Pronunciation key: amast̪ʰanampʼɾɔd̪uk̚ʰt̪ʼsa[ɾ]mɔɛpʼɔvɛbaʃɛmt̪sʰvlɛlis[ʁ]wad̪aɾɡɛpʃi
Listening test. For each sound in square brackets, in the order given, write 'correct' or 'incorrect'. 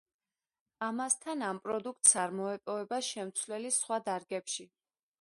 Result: correct, incorrect: χ

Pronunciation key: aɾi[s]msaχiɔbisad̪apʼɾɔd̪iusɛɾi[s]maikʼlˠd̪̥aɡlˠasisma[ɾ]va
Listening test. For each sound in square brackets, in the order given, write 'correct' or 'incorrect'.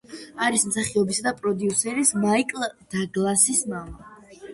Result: correct, correct, incorrect: none

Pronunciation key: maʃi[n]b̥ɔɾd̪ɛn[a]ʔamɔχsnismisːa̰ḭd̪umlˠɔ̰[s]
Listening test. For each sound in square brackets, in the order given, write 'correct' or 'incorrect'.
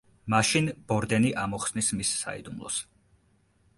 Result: correct, incorrect: i, correct

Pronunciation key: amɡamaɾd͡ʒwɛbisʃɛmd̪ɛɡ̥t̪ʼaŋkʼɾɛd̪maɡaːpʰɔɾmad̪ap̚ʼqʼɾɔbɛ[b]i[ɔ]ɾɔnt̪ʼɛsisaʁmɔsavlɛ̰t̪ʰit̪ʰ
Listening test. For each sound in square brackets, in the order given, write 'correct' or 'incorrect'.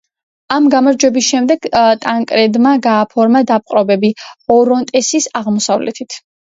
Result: correct, correct

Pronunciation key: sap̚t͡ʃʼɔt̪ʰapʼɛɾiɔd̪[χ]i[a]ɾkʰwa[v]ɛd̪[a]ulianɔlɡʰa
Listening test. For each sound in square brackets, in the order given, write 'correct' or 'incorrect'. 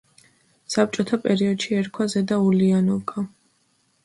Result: incorrect: ʃ, incorrect: ɛ, incorrect: z, correct

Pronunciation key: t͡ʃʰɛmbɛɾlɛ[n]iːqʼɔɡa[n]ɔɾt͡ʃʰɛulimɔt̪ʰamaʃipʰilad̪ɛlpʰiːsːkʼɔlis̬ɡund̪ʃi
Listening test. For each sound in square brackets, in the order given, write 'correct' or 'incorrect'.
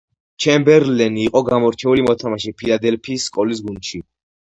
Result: correct, incorrect: m

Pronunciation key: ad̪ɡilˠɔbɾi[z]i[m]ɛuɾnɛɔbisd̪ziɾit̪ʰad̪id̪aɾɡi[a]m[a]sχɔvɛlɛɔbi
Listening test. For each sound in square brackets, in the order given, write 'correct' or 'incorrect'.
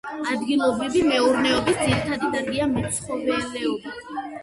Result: incorrect: v, correct, correct, incorrect: ɛ

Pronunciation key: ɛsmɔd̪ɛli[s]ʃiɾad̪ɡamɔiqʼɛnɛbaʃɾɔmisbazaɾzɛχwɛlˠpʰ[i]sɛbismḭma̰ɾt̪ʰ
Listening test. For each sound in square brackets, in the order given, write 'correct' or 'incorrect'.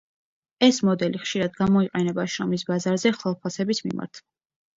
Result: incorrect: χ, incorrect: a

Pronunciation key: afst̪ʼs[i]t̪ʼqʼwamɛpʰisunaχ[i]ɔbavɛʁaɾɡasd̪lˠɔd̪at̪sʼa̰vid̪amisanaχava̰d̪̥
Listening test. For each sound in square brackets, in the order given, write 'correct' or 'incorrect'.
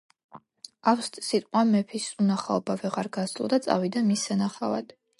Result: correct, incorrect: a

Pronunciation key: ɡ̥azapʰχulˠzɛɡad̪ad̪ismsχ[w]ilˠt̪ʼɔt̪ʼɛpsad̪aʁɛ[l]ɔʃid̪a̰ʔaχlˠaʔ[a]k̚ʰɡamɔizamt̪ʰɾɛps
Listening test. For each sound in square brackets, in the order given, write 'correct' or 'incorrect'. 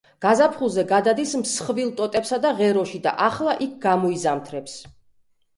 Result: incorrect: v, incorrect: ɾ, incorrect: i

